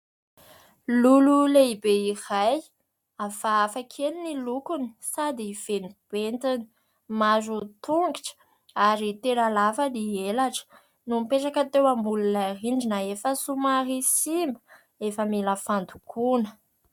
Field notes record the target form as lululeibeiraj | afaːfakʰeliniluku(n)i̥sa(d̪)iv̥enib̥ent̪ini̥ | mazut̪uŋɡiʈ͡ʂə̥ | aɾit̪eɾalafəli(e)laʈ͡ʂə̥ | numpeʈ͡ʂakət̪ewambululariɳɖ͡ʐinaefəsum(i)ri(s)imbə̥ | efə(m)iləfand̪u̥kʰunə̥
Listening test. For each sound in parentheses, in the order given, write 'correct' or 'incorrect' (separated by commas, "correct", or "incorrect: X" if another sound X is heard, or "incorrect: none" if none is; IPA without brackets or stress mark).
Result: correct, correct, correct, incorrect: a, correct, correct